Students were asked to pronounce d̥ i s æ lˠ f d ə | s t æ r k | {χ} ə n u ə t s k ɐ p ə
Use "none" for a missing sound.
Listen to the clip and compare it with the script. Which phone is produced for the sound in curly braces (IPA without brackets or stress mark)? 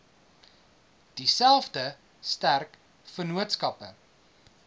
f